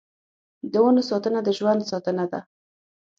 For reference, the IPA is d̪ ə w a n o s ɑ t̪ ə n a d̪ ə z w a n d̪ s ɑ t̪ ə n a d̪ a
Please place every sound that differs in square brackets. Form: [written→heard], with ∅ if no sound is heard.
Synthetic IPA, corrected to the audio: d̪ ə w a n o s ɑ t̪ ə n a d̪ ə [z→ʒ] w a n d̪ s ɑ t̪ ə n a d̪ a